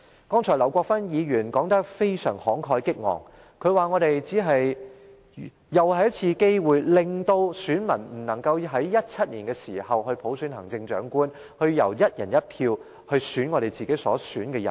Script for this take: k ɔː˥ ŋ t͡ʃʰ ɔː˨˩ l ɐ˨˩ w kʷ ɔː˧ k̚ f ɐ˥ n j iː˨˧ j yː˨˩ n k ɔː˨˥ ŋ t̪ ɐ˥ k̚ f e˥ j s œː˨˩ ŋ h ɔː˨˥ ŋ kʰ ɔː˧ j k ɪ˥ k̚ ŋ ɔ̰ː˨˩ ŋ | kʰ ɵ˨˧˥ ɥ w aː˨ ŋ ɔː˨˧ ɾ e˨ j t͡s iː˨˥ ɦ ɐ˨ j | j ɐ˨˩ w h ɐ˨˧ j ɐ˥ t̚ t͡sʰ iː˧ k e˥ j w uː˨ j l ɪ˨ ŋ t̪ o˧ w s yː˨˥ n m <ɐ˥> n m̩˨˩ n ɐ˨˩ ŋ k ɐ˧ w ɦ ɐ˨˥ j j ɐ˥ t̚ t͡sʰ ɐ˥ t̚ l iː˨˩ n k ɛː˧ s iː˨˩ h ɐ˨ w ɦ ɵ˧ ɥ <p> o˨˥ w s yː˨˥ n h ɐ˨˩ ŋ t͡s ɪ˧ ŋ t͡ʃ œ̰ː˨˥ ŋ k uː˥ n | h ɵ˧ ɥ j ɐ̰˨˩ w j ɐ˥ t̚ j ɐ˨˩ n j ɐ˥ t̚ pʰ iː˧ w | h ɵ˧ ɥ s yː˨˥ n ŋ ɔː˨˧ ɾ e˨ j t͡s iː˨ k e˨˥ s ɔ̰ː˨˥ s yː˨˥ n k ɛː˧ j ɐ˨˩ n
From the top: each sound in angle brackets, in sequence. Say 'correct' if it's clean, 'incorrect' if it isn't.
incorrect: ɐ˨˩, incorrect: pʰ

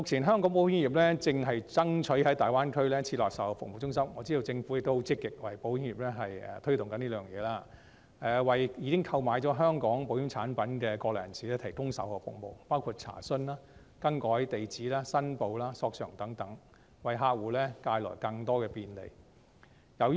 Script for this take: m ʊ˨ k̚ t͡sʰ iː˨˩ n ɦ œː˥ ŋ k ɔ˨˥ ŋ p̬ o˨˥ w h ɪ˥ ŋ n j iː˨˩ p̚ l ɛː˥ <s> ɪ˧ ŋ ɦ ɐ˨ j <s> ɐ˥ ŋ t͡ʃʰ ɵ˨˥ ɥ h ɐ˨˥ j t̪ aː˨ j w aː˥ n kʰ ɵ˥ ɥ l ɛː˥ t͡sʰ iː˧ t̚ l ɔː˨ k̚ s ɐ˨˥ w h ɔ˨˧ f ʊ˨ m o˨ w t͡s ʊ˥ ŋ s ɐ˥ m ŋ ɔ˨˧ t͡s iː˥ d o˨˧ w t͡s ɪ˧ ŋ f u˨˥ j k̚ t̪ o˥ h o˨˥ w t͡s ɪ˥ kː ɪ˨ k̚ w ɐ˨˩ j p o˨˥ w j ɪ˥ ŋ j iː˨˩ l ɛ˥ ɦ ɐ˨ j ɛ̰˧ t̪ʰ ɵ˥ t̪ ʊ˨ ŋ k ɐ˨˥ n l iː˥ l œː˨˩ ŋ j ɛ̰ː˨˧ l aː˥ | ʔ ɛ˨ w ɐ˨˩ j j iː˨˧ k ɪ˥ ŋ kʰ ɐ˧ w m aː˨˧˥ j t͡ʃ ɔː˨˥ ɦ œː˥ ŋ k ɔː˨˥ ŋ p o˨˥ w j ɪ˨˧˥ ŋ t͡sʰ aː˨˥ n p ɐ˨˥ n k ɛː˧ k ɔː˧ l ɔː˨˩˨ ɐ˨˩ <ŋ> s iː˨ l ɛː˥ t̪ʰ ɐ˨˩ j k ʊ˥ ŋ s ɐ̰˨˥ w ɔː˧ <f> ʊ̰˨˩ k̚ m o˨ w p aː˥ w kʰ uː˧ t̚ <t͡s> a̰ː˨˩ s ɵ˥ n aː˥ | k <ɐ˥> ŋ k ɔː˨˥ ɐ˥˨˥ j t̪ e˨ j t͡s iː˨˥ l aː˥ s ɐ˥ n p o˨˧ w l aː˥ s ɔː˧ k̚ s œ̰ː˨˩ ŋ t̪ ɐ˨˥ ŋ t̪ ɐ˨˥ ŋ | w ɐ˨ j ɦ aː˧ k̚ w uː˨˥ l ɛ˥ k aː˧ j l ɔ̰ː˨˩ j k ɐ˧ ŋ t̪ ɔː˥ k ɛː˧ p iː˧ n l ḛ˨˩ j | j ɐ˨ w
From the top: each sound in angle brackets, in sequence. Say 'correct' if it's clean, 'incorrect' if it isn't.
incorrect: t͡s, incorrect: t͡s, incorrect: n, correct, incorrect: t͡sʰ, correct

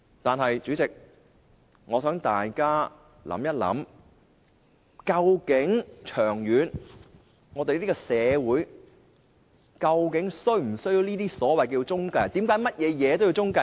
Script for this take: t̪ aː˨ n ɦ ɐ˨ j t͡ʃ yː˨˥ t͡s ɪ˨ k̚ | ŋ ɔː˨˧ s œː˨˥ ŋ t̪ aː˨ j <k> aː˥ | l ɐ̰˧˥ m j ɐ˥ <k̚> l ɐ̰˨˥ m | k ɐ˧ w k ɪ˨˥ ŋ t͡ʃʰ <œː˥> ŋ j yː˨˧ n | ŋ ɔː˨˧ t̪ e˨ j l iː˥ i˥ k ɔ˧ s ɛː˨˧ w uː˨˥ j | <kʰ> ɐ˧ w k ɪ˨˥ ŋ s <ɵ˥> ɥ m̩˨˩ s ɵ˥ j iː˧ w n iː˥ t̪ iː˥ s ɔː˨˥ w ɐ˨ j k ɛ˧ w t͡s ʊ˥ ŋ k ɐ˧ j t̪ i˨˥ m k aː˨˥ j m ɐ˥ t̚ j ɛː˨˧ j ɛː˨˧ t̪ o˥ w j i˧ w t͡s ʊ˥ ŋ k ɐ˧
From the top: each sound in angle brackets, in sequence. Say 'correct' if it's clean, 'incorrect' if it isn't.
correct, incorrect: t̚, incorrect: œː˨˩, incorrect: k, correct

